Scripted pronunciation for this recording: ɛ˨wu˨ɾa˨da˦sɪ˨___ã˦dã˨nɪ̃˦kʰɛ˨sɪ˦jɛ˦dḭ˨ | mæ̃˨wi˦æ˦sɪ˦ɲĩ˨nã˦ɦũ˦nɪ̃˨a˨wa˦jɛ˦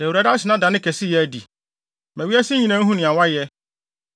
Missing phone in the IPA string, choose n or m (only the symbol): n